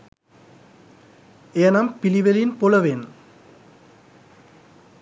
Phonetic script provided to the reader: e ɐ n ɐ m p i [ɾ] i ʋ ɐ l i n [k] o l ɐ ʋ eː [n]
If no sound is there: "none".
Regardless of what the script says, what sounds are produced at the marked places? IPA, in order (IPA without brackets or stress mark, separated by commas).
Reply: l, p, n